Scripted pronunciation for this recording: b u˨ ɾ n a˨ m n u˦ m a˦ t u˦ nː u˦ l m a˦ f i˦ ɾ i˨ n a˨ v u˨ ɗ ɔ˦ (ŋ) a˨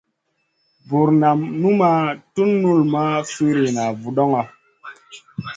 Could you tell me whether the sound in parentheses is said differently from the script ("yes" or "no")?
no